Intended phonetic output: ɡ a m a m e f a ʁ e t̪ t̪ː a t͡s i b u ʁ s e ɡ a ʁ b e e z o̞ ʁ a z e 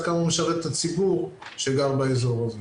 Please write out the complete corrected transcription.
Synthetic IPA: k a m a m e ʃ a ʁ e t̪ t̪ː a t͡s i b u ʁ ʃ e ɡ a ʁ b a e z o̞ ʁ a z e

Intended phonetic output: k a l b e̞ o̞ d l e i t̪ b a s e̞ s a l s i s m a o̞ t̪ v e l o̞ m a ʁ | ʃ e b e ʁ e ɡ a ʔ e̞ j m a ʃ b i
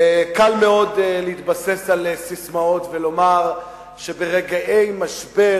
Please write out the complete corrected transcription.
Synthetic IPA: k a l m e̞ o̞ d l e i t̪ b a s e̞ s a l s i s m a o̞ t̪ v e l o̞ m a ʁ | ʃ e b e ʁ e ɡ a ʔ e̞ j m a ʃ b e

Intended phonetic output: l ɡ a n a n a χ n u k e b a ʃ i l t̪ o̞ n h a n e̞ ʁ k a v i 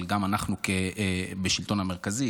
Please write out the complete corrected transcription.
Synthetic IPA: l ɡ a m a n a χ n u k e b e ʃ i l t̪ o̞ n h a m e̞ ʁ k a z i

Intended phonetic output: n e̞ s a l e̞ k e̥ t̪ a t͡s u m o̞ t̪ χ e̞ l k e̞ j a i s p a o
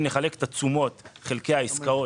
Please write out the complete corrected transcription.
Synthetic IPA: n e̞ χ a l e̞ k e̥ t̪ a t͡s u m o̞ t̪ χ e̞ l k e̞ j a i s k a o

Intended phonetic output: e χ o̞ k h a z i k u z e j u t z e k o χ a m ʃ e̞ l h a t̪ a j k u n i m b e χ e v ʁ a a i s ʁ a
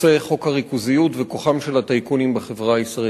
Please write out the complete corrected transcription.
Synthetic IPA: e χ o̞ k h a ʁ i k u z i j u t v e k o χ a m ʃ e̞ l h a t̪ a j k u n i m b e χ e v ʁ a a i s ʁ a

